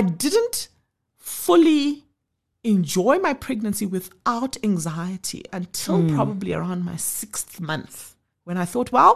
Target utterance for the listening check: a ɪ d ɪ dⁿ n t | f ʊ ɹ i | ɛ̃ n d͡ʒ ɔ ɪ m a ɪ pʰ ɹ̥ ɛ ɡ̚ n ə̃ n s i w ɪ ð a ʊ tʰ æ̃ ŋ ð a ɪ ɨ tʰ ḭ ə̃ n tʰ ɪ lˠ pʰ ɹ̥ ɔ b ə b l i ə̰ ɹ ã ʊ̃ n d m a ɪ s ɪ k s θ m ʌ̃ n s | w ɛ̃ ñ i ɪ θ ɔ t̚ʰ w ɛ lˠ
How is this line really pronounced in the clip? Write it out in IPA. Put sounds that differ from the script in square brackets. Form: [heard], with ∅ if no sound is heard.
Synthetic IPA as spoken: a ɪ d ɪ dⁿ n t | f ʊ [l] i | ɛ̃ n d͡ʒ ɔ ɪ m a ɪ pʰ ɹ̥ ɛ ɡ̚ n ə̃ n s i w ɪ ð a ʊ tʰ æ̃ ŋ [z] a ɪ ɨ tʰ ḭ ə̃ n tʰ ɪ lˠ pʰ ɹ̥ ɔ b ə b l i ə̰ ɹ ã ʊ̃ n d m a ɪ s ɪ k s θ m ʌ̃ n [θ] | w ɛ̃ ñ [a] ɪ θ ɔ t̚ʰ w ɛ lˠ